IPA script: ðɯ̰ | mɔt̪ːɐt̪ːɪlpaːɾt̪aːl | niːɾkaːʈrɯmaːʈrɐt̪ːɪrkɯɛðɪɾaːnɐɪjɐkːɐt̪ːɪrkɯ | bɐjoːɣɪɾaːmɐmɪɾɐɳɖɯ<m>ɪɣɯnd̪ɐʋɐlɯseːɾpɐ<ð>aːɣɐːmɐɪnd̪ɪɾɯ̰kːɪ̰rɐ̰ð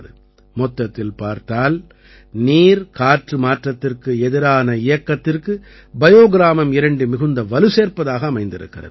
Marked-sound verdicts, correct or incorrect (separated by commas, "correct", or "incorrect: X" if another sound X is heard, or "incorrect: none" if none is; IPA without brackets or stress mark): correct, correct